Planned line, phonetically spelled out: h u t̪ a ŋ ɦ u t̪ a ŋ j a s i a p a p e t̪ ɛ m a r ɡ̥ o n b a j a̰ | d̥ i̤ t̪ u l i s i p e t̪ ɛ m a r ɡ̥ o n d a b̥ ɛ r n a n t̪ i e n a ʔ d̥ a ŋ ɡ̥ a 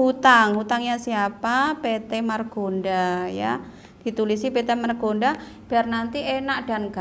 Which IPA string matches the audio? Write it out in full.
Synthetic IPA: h u t̪ a ŋ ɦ u t̪ a ŋ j a s i a p a p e t̪ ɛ m a r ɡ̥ o n d a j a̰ | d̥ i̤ t̪ u l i s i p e t̪ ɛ m a r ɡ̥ o n d a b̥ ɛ r n a n t̪ i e n a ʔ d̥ a n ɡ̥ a